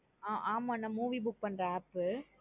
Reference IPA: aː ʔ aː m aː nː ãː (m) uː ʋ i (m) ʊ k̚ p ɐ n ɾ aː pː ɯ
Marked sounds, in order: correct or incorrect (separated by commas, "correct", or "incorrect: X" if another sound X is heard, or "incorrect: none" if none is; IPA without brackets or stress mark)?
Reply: correct, incorrect: b